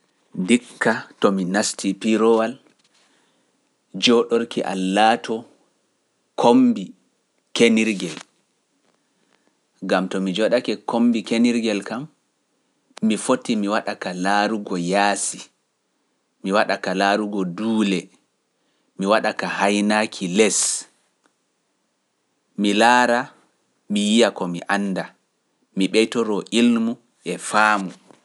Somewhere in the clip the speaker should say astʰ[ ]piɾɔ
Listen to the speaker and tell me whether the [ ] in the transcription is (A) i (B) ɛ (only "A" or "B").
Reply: A